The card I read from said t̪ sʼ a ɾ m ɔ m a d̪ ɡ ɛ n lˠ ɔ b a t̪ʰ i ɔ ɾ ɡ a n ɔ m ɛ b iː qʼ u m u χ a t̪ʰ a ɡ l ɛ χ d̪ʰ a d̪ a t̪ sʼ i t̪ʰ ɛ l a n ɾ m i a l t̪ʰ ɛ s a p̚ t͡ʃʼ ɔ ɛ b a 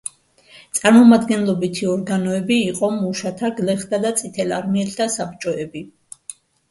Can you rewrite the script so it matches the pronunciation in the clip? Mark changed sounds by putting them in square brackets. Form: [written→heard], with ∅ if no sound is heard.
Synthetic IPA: t̪ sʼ a ɾ m ɔ m a d̪ ɡ ɛ n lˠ ɔ b [a→i] t̪ʰ i ɔ ɾ ɡ a n ɔ [m→∅] ɛ b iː qʼ [u→ɔ] m u [χ→ʃ] a t̪ʰ a ɡ l ɛ χ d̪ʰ a d̪ a t̪ sʼ i t̪ʰ ɛ l a [n→∅] ɾ m i [a→ɛ] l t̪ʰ [ɛ→a] s a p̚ t͡ʃʼ ɔ ɛ b [a→i]